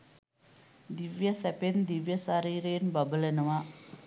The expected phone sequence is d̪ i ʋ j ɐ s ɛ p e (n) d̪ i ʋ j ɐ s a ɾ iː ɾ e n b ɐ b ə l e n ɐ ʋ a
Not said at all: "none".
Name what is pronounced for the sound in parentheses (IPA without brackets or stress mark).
n